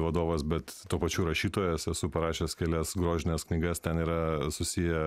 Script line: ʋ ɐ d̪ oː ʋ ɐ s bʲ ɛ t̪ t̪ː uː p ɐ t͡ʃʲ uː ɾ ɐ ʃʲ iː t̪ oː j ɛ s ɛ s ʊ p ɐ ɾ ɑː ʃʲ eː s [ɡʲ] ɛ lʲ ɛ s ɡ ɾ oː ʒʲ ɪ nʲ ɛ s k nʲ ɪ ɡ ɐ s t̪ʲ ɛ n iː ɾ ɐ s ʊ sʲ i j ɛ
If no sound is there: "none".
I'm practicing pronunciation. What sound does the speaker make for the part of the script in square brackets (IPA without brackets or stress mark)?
kʲ